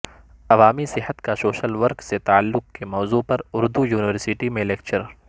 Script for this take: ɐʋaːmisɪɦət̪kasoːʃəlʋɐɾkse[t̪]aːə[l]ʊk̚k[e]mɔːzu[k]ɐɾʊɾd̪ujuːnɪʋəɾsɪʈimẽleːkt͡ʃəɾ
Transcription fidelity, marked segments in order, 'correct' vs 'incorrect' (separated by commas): correct, incorrect, correct, incorrect